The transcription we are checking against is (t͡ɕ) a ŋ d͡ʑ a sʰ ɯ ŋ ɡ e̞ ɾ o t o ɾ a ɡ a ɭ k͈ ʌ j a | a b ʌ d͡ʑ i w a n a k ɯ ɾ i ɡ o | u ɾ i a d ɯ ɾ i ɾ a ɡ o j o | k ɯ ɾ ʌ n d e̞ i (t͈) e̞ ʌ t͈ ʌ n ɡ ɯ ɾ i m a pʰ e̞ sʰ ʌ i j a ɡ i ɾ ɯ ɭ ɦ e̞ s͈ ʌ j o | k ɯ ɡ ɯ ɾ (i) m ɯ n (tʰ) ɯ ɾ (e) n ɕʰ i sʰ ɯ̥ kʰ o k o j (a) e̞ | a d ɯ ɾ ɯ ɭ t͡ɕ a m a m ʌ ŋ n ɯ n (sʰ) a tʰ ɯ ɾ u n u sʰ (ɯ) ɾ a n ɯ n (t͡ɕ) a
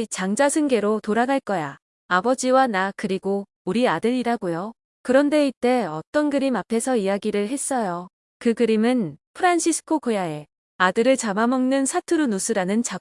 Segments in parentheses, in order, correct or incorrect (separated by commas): correct, correct, correct, incorrect, incorrect, correct, correct, correct, correct